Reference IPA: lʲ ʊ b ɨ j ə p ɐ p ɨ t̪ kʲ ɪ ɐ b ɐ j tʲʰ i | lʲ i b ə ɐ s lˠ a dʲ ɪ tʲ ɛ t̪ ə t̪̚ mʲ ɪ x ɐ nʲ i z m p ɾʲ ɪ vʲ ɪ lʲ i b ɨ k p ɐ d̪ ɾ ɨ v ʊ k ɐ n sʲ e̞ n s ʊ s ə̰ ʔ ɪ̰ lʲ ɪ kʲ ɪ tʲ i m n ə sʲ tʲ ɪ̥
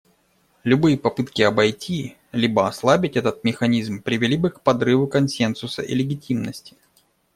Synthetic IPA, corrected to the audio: lʲ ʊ b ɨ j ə p ɐ p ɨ t̪ kʲ ɪ ɐ b ɐ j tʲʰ i | lʲ i b ə ɐ s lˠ a bʲ ɪ tʲ ɛ t̪ ə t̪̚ mʲ ɪ x ɐ nʲ i z m p ɾʲ ɪ vʲ ɪ lʲ i b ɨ k p ɐ d̪ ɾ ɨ v ʊ k ɐ n sʲ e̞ n s ʊ s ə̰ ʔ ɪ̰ lʲ ɪ ɡʲ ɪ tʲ i m n ə sʲ tʲ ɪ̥